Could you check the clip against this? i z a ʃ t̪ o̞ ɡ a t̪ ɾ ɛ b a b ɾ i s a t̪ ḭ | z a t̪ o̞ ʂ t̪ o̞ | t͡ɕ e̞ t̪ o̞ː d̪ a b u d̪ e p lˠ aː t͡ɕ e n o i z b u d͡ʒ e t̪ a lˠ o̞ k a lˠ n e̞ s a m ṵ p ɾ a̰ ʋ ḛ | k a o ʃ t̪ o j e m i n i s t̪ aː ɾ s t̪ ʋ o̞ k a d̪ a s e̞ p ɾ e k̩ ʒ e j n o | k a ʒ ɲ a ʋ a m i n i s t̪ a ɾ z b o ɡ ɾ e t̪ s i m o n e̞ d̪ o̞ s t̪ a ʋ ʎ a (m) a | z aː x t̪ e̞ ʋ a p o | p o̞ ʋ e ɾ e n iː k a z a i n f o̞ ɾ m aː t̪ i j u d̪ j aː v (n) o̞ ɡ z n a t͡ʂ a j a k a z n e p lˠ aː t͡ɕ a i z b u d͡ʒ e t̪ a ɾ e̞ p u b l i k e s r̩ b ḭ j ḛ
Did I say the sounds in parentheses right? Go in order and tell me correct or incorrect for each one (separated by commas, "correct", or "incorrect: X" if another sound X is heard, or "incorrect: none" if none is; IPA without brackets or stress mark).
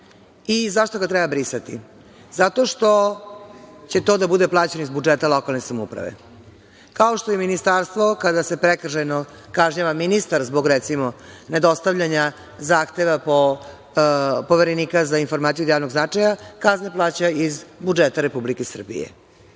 incorrect: ɲ, correct